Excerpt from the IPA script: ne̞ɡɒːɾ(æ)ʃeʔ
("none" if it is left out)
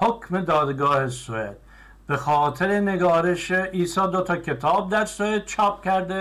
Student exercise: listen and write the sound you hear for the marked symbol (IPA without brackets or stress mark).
e